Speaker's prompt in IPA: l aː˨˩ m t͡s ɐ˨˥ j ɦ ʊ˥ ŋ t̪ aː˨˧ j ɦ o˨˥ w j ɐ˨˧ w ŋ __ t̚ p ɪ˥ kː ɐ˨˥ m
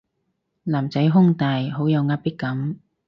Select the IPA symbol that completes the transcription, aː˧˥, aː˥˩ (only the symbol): aː˧˥